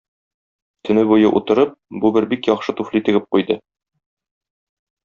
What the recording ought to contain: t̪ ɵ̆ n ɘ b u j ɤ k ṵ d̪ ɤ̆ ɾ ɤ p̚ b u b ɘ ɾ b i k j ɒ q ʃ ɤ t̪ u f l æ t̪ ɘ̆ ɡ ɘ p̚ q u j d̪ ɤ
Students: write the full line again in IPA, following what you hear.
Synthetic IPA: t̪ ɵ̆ n ɘ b u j ɤ ʔ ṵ t̪ ɤ̆ ɾ ɤ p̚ b u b ɘ ɾ b i k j ɒ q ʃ ɤ t̪ u f l i t̪ ɘ̆ ɡ ɘ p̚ q u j d̪ ɤ